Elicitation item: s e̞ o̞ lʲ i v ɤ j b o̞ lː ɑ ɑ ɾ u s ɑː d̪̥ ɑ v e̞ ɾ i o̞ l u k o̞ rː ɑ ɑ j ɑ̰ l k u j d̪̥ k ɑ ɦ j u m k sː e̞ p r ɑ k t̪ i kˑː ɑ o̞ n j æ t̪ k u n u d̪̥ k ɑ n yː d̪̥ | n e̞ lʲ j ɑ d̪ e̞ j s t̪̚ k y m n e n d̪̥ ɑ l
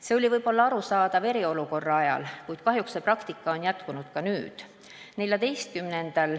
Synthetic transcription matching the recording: s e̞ o̞ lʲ i v ɤ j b o̞ lː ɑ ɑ ɾ u s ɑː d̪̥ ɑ v e̞ ɾ i o̞ l u k o̞ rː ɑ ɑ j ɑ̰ l k u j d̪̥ k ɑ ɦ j u k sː e̞ p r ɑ k t̪ i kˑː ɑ o̞ n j æ t̪ k u n u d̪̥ k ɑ n yː d̪̥ | n e̞ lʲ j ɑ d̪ e̞ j s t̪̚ k y m n e n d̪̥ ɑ l